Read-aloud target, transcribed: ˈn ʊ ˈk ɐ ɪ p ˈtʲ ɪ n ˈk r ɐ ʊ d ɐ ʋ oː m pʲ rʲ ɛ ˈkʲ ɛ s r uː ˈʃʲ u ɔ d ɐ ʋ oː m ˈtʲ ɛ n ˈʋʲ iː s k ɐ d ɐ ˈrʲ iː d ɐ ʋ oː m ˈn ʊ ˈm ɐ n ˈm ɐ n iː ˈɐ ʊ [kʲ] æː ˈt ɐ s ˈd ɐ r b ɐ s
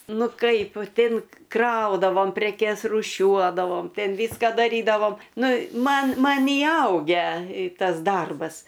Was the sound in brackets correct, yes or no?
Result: no